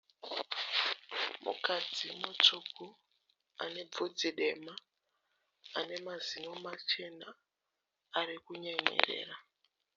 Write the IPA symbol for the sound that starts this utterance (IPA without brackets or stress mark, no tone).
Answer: m